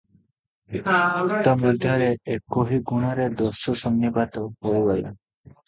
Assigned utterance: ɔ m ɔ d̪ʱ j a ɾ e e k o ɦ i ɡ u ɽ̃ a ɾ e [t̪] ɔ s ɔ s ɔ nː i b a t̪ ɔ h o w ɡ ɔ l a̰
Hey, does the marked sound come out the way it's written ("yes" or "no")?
no